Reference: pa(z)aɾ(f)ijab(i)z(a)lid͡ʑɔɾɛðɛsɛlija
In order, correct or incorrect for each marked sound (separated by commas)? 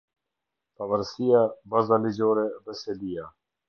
incorrect, incorrect, incorrect, correct